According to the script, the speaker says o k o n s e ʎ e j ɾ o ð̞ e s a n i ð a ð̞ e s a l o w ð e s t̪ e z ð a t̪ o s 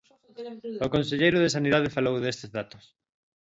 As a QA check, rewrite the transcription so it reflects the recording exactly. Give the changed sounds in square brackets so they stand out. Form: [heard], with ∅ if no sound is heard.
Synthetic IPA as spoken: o k o n s e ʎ e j ɾ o ð̞ e s a n i ð a ð̞ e [f] a l o w ð e s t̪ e z ð a t̪ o s